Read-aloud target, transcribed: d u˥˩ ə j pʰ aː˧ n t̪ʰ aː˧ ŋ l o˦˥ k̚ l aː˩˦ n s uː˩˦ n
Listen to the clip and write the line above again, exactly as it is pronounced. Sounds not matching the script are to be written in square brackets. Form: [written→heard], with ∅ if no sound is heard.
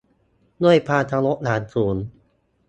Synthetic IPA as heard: d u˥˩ ə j pʰ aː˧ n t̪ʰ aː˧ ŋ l o˦˥ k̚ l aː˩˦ n s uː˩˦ n